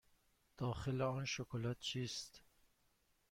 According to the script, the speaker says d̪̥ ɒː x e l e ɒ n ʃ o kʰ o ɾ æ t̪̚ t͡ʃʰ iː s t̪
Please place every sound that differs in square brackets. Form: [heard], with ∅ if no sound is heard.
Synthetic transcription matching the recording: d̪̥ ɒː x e l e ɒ n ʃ o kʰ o [l] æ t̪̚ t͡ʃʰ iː s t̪